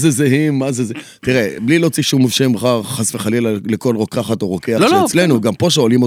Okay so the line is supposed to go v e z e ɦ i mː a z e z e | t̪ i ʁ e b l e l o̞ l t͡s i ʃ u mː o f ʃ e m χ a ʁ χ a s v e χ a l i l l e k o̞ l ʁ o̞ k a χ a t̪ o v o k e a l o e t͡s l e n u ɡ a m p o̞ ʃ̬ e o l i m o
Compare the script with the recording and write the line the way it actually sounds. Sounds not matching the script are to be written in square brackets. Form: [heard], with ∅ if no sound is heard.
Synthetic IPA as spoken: [z] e z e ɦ i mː a z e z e | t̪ i ʁ e b l [i] l o̞ [∅] t͡s i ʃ u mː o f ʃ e m χ a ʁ χ a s v e χ a l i l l e k o̞ l ʁ o̞ k a χ a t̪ o [ʁ] o k e a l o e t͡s l e n u ɡ a m p o̞ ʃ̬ e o l i m o